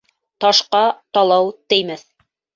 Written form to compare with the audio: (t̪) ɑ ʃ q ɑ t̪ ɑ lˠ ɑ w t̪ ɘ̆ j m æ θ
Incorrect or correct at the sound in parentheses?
correct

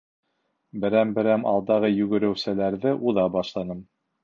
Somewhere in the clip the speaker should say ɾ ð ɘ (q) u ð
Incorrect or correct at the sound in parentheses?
incorrect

